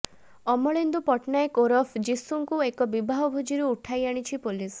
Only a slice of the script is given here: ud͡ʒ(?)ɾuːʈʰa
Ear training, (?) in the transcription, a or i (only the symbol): i